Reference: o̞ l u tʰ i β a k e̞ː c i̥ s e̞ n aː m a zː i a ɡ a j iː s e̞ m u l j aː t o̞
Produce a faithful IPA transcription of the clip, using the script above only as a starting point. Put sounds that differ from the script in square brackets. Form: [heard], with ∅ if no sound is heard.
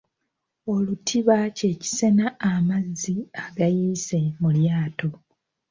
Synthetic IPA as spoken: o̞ l u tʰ i β a [c] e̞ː c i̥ s e̞ n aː m a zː i a ɡ a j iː s e̞ m u l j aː t o̞